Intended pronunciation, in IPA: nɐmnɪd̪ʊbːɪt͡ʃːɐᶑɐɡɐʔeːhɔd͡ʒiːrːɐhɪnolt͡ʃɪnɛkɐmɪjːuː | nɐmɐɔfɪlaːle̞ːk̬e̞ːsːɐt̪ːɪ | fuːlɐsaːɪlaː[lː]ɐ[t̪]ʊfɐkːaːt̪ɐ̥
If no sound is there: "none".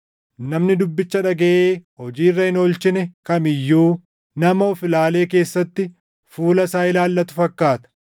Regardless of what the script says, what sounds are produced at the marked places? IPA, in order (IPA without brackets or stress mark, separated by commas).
lː, t̪